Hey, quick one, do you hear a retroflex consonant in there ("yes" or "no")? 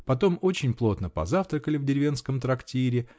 no